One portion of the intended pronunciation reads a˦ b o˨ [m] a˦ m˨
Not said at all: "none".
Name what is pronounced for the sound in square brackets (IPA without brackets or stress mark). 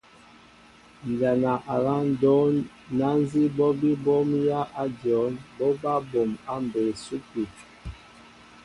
m